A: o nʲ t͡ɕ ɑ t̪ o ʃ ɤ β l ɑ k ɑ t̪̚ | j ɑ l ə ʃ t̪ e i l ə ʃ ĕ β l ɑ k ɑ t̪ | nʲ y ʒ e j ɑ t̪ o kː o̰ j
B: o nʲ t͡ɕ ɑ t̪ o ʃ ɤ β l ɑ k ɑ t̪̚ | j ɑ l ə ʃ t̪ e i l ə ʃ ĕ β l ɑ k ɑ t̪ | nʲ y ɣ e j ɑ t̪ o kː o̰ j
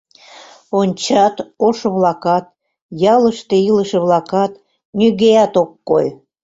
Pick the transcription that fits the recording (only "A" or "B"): B